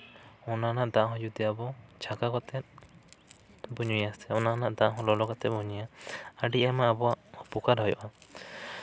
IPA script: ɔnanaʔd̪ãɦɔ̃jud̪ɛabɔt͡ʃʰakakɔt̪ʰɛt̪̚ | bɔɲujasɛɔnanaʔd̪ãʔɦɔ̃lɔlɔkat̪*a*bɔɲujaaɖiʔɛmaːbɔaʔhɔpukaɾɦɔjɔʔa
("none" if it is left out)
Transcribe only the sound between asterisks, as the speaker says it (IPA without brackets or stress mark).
ɛ